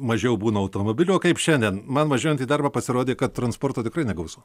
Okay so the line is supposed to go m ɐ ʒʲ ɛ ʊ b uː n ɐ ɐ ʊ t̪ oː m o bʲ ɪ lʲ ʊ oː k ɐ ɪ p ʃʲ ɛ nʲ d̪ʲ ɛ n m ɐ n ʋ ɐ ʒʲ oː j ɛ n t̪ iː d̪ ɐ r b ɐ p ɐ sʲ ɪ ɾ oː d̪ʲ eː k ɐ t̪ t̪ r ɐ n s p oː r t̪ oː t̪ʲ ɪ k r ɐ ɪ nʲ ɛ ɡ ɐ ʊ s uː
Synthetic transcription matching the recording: m ɐ ʒʲ ɛ ʊ b uː n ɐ ɐ ʊ t̪ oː m o bʲ ɪ lʲ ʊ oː k ɐ ɪ p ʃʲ ɛ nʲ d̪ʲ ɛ n m ɐ n ʋ ɐ ʒʲ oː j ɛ n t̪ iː d̪ ɐ r b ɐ p ɐ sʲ ɪ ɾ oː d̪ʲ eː k ɐ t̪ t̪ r ɐ n s p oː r t̪ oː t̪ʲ ɪ k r ɐ ɪ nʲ ɛ ɡ ɐ ʊ s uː